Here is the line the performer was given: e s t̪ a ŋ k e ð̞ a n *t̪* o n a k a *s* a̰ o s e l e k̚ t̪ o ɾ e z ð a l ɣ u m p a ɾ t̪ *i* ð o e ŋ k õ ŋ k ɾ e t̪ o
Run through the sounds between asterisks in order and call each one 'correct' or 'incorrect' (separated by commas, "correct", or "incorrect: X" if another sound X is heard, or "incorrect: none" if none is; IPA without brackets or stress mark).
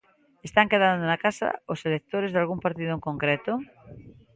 incorrect: d̪, correct, correct